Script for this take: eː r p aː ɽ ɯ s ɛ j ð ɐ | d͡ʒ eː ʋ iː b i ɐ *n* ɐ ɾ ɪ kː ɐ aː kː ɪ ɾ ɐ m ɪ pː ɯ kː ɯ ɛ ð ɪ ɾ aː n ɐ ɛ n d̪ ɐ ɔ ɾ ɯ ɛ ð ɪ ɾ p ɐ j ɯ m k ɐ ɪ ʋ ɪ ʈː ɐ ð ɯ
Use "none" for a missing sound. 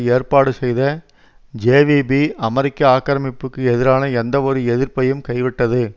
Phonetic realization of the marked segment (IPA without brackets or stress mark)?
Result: m